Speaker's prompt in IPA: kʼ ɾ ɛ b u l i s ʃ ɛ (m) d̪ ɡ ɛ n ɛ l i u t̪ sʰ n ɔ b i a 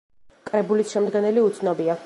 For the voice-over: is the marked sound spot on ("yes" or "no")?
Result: yes